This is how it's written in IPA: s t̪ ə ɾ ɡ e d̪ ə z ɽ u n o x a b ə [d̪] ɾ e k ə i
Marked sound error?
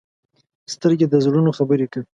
yes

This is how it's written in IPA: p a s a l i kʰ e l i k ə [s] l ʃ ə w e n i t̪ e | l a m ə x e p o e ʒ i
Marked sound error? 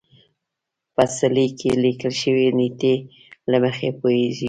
yes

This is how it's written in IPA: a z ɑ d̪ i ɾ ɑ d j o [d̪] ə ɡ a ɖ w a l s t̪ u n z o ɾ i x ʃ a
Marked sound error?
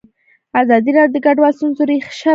no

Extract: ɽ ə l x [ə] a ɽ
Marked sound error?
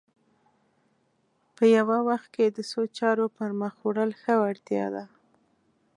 no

